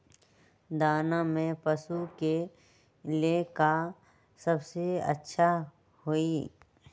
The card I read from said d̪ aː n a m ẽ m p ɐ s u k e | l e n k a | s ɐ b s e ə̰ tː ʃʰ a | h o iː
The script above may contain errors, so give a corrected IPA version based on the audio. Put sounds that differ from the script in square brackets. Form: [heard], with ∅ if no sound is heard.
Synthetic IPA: d̪ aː n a m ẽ [∅] p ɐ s u k e | l e [∅] k a | s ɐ b s e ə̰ tː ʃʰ a | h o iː